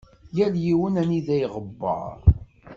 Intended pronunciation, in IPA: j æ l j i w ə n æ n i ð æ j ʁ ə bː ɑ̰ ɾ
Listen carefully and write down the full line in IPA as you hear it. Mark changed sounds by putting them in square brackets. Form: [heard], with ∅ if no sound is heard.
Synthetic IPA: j æ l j i w ə n æ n i ð æ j ʁ ə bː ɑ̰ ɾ